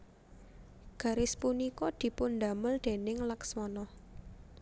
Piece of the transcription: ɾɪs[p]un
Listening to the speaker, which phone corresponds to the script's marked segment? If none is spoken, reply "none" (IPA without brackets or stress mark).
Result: p